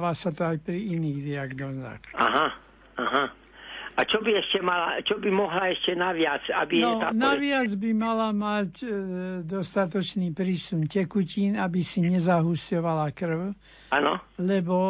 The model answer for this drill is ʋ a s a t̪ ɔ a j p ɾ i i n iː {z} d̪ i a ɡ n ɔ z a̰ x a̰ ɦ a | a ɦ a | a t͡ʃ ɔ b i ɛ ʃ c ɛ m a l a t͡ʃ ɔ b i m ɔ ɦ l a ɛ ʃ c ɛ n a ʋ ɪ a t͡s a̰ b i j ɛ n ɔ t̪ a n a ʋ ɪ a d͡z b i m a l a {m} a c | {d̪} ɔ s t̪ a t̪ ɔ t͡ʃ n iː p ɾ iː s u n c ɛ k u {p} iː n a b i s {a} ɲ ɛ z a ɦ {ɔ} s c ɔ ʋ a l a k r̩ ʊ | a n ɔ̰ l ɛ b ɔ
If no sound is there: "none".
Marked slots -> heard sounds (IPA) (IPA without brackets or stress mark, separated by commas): ɣ, m, d̪, c, i, u